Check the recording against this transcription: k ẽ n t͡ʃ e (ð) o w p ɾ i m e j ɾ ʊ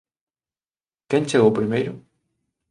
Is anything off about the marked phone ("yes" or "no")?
yes